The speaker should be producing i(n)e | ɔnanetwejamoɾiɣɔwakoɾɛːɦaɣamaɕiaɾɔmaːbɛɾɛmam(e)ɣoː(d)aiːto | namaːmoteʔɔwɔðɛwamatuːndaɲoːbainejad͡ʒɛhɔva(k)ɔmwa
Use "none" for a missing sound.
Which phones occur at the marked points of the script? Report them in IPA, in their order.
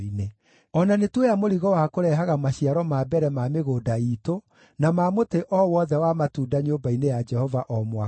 n, e, d, ʔ

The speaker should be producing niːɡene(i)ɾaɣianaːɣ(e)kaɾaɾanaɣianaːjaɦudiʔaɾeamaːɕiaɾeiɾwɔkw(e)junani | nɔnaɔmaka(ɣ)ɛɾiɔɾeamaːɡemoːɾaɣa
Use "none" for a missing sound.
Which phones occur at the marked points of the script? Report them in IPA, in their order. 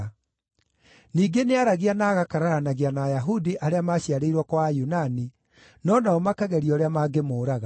a, a, a, ɣ

